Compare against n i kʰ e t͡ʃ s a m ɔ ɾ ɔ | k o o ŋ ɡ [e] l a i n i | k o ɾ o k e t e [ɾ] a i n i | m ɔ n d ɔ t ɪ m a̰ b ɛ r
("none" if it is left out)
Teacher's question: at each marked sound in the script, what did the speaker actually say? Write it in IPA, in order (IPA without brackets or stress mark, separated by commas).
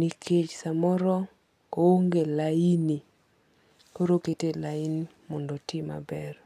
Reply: e, l